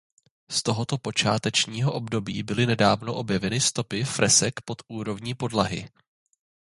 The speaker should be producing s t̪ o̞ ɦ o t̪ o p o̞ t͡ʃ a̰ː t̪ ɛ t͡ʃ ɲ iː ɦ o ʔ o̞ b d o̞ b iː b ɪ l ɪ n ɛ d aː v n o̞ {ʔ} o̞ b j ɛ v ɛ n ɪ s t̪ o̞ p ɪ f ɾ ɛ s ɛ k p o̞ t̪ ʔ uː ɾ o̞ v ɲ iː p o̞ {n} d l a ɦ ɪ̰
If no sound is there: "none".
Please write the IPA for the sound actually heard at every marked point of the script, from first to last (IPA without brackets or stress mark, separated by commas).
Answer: ʔ, none